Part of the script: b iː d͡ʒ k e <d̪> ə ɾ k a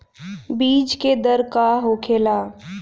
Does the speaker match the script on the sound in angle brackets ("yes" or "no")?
yes